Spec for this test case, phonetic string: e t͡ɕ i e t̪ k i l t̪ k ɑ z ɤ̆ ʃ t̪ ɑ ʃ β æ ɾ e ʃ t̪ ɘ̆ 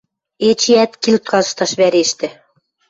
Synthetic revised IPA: e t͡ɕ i æ t̪ k i l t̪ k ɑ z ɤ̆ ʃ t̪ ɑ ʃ β æ ɾ e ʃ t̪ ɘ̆